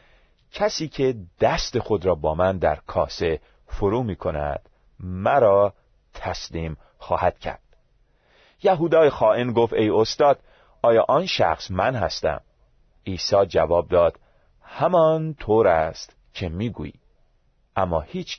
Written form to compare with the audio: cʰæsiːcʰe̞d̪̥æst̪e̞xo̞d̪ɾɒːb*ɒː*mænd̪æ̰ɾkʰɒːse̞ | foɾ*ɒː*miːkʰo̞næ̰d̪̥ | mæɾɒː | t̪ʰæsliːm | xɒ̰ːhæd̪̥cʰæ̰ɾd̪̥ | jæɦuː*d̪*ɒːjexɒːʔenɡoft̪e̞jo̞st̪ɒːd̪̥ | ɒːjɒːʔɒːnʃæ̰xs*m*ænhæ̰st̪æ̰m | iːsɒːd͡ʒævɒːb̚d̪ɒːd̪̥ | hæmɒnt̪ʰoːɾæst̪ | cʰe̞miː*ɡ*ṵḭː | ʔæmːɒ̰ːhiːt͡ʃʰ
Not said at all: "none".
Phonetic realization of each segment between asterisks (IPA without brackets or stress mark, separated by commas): ɒː, uː, d̪, m, ɡ